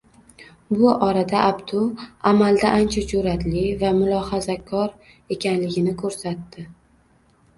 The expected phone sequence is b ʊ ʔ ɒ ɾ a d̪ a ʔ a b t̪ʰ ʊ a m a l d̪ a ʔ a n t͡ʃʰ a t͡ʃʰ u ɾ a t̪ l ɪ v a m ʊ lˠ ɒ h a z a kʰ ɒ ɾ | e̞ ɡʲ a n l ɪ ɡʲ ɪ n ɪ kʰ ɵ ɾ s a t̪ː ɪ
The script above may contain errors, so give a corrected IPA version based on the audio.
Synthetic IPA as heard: b ʊ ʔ ɒ ɾ a d̪ a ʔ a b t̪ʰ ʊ a m a l d̪ a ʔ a n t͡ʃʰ a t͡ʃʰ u ɾ a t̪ l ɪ v a m ʊ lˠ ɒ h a z a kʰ ɒ ɾ | e̞ kʲ a n l ɪ ɡʲ ɪ n ɪ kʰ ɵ ɾ s a t̪ː ɪ

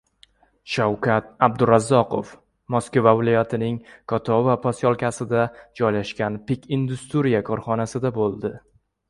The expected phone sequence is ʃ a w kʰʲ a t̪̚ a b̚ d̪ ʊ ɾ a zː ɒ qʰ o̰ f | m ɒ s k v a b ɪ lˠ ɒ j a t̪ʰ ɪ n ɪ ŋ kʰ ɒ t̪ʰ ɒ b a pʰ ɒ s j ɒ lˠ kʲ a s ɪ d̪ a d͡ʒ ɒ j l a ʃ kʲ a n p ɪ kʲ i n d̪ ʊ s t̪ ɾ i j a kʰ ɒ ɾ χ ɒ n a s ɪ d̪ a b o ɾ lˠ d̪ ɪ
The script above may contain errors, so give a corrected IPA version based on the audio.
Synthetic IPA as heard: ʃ a w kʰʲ a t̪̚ a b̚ d̪ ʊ ɾ a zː ɒ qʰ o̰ f | m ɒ s k v a v ɪ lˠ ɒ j a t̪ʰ ɪ n ɪ ŋ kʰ ɒ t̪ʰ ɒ v a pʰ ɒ s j ɒ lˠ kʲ a s ɪ d̪ a d͡ʒ ɒ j l a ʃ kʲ a n p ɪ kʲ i n d̪ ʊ s t̪ ɾ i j a kʰ ɒ ɾ χ ɒ n a s ɪ d̪ a b o lˠ d̪ ɪ

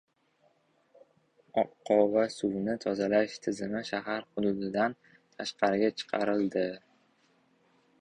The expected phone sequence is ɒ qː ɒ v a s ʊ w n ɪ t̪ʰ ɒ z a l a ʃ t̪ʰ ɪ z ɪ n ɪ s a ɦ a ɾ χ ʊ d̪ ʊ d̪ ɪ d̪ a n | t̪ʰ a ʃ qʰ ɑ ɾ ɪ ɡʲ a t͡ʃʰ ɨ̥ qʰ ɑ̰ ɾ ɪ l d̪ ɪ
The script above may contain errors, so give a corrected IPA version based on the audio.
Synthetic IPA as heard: ɒ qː ɒ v a s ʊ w n ɪ t̪ʰ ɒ z a l a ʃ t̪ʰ ɪ z ɪ m ɪ ʃ a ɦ a ɾ χ ʊ d̪ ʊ d̪ ɪ d̪ a n | t̪ʰ a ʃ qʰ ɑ ɾ ɪ ɡʲ a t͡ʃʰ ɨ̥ qʰ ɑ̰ ɾ ɪ l d̪ ɪ

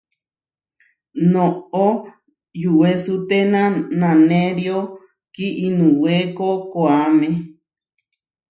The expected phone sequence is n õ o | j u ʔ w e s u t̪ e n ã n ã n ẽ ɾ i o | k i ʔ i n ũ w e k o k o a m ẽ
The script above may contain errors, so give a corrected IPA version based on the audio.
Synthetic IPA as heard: n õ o | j u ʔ w e s u t̪ e n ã n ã n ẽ ɾ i o | k i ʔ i n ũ w e k o k o a m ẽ

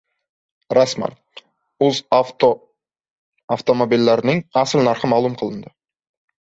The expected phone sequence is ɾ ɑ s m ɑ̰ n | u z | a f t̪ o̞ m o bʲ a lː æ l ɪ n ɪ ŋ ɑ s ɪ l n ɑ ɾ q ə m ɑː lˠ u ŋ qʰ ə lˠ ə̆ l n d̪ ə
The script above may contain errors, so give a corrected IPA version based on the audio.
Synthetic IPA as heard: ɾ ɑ s m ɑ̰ n | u z | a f t̪ o̞ m o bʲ i lː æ ɾ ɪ n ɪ ŋ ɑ s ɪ l n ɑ ɾ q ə m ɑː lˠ u m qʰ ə lˠ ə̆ n d̪ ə

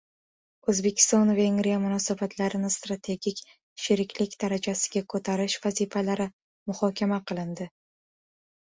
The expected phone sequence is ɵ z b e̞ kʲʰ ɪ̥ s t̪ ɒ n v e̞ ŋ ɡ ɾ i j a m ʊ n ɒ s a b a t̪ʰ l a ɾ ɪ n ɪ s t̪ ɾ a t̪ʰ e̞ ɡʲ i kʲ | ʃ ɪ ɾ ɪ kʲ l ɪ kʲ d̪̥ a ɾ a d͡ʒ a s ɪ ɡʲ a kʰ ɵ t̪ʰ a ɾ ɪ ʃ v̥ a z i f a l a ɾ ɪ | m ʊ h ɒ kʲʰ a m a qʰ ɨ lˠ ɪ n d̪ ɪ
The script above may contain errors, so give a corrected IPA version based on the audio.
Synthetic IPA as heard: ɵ z b e̞ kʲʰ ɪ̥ s t̪ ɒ n v e̞ ŋ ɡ ɾ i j a m ʊ n ɒ s a b a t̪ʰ l a ɾ ɪ n ɪ s t̪ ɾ a t̪ʰ e̞ ɡʲ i kʲ | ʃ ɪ ɾ ɪ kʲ l ɪ kʲ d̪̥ a ɾ a d͡ʒ a s ɪ ɡʲ a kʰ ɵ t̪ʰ a ɾ ɪ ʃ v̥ a z i f a l a ɾ ɪ | m ʊ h ɒ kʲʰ a m a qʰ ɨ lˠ ɪ n d̪ ɪ

